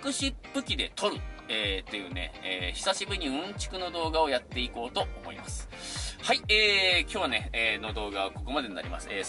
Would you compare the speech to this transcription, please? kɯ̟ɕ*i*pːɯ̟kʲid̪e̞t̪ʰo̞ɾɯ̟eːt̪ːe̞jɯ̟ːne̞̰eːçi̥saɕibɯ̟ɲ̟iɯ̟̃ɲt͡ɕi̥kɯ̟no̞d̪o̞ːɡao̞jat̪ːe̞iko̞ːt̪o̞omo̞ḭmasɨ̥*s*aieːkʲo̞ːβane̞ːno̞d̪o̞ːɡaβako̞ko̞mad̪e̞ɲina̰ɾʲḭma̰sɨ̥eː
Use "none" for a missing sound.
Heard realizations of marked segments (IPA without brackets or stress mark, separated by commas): i, h